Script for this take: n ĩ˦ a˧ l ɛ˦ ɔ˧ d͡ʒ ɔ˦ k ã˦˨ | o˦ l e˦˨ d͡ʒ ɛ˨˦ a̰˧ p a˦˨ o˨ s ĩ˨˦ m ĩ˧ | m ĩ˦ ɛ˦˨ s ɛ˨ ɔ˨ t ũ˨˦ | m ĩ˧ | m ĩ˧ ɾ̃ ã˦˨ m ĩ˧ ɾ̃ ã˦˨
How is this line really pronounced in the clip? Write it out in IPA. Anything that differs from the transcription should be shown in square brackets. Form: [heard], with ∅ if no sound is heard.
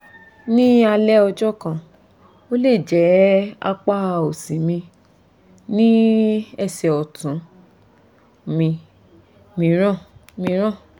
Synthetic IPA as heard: n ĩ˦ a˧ l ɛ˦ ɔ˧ d͡ʒ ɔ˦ k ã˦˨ | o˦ l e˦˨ d͡ʒ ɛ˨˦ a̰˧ [k͡p] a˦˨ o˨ s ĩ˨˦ m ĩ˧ | [n] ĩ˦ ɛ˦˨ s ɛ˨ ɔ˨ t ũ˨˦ | m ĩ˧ | m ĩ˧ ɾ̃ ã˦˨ m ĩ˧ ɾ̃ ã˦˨